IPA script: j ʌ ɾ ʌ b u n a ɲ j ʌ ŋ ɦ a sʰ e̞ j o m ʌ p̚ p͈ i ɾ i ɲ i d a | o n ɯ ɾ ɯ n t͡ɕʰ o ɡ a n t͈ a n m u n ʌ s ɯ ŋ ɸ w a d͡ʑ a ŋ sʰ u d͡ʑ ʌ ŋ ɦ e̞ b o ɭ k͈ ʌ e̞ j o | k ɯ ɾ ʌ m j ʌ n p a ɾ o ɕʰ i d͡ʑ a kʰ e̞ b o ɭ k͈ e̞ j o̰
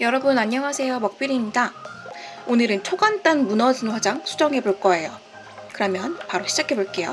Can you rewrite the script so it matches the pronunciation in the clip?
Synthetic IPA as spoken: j ʌ ɾ ʌ b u n a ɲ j ʌ ŋ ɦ a sʰ e̞ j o m ʌ k̚ p͈ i ɾ i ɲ i d a | o n ɯ ɾ ɯ n t͡ɕʰ o ɡ a n t͈ a n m u n ʌ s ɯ n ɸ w a d͡ʑ a ŋ sʰ u d͡ʑ ʌ ŋ ɦ e̞ b o ɭ k͈ ʌ e̞ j o | k ɯ ɾ ʌ m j ʌ n p a ɾ o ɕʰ i d͡ʑ a kʰ e̞ b o ɭ k͈ e̞ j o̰

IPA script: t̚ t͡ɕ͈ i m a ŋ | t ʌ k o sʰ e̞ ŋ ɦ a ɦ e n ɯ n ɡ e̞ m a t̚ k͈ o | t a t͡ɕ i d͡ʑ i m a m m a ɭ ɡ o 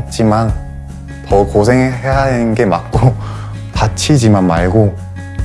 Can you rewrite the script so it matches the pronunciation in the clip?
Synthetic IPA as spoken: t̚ t͡ɕ͈ i m a n | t ʌ k o sʰ e̞ ŋ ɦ e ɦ a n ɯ n ɡ e̞ m a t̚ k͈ o | t a t͡ɕʰ i d͡ʑ i m a n m a ɭ ɡ o

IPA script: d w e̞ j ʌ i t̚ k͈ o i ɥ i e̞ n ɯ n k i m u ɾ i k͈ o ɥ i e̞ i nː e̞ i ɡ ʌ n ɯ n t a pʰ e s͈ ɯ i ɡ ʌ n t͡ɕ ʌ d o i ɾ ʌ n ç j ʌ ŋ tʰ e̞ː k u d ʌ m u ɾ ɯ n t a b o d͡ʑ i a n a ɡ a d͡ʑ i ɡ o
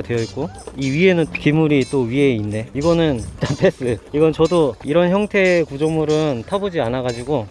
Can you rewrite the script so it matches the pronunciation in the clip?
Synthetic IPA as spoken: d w e̞ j ʌ i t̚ k͈ o i ɥ i e̞ n ɯ n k i m u ɾ i t͈ o ɥ i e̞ i nː e̞ i ɡ ʌ n ɯ n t a pʰ e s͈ ɯ i ɡ ʌ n t͡ɕ ʌ d o i ɾ ʌ n ç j ʌ ŋ tʰ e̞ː k u d͡ʑ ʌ m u ɾ ɯ n tʰ a b o d͡ʑ i a n a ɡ a d͡ʑ i ɡ o

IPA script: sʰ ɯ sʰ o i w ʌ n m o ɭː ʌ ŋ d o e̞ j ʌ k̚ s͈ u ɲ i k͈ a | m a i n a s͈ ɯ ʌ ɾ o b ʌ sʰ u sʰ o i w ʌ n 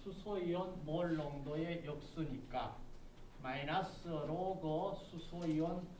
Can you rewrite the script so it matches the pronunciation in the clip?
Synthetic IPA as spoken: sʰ u sʰ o i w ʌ n m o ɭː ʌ ŋ d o e̞ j ʌ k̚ s͈ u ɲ i k͈ a | m a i n a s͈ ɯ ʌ ɾ o ɡ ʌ sʰ u sʰ o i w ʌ n

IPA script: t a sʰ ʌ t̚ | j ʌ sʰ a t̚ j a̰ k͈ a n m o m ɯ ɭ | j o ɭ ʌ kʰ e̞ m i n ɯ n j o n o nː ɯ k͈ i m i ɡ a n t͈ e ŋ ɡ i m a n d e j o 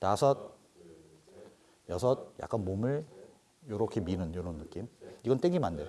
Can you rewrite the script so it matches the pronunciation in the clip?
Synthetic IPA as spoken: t a sʰ ʌ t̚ | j ʌ sʰ ʌ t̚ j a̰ k͈ a n m o m ɯ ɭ | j o ɾ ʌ kʰ e̞ m i n ɯ n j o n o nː ɯ k͈ i m i ɡ ʌ n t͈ e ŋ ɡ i m a n d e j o

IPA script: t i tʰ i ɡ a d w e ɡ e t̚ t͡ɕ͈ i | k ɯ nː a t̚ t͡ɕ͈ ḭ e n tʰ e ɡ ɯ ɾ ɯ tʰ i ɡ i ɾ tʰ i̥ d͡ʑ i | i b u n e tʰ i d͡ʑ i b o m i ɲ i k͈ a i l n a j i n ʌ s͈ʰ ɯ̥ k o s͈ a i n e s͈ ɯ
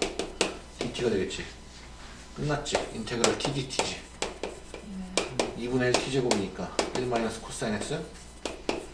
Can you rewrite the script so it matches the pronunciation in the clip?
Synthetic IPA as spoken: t i tʰ i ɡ a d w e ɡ e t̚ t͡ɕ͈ i | k ɯ nː a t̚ t͡ɕ͈ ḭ i n tʰ e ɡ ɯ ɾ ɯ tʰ i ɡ i tʰ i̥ d͡ʑ i | i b u n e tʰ i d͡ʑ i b o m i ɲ i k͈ a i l m a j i n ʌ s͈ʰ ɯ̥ kʰ o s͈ a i n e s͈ ɯ

